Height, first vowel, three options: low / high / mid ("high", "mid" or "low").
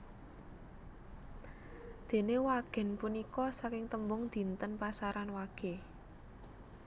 mid